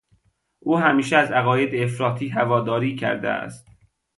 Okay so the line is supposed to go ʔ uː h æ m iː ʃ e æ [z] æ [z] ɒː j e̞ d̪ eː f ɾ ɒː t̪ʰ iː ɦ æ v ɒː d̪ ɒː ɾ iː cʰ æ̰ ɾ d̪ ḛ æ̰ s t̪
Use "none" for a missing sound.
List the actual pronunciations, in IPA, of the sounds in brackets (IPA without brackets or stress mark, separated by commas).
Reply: z, ɣ